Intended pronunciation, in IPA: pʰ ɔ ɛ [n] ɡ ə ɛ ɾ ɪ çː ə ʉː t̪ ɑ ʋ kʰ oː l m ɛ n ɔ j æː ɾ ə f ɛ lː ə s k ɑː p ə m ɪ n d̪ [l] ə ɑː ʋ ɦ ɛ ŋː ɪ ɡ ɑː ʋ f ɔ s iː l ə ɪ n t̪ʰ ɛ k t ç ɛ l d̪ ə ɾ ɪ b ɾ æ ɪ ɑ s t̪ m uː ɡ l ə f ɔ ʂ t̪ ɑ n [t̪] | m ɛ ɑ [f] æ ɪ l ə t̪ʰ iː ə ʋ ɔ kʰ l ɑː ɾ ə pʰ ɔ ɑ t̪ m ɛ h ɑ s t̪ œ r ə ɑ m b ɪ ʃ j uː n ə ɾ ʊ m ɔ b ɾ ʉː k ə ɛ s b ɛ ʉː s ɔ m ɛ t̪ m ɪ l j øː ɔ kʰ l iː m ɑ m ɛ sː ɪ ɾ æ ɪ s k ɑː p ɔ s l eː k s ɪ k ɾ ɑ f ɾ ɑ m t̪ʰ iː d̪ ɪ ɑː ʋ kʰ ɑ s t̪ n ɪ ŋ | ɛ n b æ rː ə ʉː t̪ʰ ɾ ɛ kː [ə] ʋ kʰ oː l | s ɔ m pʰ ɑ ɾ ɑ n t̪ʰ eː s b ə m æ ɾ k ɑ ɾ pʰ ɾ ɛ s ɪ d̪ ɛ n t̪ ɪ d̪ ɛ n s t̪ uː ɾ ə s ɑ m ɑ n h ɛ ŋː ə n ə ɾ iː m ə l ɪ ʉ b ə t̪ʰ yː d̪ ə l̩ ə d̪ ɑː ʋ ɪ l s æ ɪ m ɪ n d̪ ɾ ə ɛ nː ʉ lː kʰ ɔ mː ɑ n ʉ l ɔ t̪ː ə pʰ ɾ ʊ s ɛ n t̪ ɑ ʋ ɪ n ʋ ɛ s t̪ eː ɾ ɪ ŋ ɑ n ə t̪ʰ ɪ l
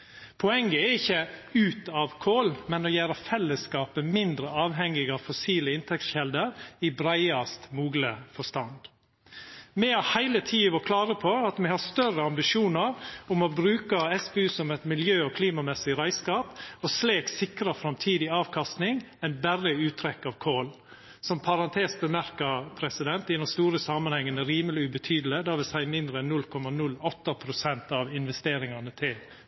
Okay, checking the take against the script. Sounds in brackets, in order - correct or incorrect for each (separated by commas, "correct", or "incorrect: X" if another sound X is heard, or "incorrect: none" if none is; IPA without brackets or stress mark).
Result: incorrect: ŋ, incorrect: ɾ, incorrect: d̪, incorrect: h, incorrect: ɑ